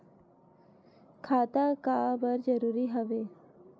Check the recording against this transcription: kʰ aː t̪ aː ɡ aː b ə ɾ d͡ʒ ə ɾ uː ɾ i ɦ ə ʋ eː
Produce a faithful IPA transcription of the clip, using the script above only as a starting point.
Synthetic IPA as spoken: kʰ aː t̪ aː k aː b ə ɾ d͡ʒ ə ɾ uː ɾ i ɦ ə ʋ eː